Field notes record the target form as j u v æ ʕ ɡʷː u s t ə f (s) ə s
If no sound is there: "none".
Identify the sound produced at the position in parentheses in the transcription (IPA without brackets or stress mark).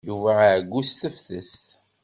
θ